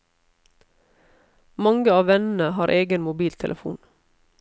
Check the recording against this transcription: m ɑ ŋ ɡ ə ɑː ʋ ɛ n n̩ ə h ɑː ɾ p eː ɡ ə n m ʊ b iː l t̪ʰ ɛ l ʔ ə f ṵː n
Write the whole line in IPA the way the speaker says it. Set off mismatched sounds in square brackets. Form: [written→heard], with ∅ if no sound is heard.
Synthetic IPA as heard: m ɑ ŋ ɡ ə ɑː ʋ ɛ n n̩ ə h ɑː ɾ [p→ʔ] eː ɡ ə n m ʊ b iː l t̪ʰ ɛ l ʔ ə f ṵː n

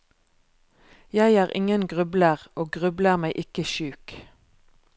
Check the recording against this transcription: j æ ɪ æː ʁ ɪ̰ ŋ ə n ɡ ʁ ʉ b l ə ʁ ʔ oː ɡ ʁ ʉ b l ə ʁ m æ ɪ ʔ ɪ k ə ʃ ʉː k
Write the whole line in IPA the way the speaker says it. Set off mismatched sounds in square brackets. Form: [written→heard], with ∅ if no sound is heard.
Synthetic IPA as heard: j æ ɪ æː ʁ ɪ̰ ŋ ə n ɡ ʁ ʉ b l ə ʁ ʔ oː ɡ ʁ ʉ b l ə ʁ m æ ɪ ʔ ɪ k ə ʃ ʉː k

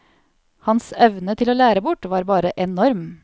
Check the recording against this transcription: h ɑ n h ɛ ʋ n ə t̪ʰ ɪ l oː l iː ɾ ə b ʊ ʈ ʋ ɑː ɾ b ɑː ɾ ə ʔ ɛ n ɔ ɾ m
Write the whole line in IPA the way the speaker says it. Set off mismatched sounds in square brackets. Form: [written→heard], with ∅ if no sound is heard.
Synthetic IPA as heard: h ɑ n [h→s] ɛ ʋ n ə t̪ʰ ɪ l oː l [iː→æː] ɾ ə b ʊ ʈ ʋ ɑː ɾ b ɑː ɾ ə ʔ ɛ n ɔ ɾ m

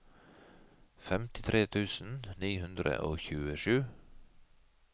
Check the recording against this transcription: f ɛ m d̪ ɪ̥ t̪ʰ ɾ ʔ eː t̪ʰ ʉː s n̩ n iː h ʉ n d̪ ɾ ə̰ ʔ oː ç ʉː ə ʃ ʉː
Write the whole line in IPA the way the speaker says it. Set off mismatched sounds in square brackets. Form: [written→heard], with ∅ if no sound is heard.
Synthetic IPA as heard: f ɛ m [d̪→t̪] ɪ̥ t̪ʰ ɾ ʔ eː t̪ʰ ʉː s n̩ n iː h ʉ n d̪ ɾ ə̰ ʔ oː ç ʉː ə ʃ ʉː

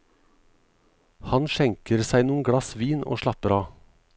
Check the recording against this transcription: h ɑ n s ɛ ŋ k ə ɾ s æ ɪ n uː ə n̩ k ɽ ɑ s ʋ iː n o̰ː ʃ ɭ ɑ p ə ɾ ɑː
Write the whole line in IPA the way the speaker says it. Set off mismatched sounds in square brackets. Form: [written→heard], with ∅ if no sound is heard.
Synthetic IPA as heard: h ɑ n [s→ʃ] ɛ ŋ k ə ɾ s æ ɪ n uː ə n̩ [k→ɡ] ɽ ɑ s ʋ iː n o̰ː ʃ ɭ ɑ p ə ɾ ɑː

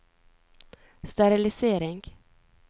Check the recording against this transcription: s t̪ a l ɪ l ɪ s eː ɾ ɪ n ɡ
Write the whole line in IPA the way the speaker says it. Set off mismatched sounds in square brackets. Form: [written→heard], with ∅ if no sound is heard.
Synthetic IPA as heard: s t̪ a [l→ɾ] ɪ l ɪ s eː ɾ ɪ [n→ŋ] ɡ

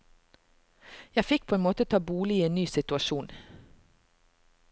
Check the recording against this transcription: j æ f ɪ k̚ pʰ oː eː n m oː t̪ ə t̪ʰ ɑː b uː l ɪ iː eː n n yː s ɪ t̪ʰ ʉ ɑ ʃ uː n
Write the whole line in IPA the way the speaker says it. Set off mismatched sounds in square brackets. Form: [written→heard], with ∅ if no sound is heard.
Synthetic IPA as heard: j æ f ɪ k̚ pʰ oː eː n m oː t̪ ə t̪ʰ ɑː b uː l ɪ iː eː n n yː s ɪ [t̪ʰ→t̪] ʉ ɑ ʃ uː n

